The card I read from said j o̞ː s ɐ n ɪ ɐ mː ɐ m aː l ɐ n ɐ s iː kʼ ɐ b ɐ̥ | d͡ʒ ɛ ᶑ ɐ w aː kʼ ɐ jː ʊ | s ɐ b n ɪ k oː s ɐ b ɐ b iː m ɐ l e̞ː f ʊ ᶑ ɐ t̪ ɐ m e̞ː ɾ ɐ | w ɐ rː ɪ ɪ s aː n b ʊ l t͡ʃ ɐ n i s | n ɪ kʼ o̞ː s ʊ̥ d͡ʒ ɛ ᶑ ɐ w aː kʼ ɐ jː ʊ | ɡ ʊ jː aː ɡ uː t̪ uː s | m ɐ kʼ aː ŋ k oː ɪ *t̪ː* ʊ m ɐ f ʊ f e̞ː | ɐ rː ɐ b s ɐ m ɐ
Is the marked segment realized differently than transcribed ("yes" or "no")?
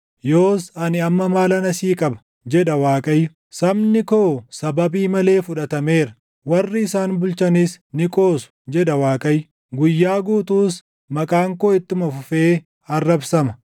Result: no